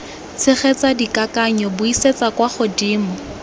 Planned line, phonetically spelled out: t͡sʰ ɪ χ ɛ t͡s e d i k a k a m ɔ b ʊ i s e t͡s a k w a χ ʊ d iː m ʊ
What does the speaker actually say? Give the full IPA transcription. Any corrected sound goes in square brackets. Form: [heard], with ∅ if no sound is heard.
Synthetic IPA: t͡sʰ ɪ χ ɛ t͡s [a] d i k a k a [ɲ] ɔ b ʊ i s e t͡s a k w a χ ʊ d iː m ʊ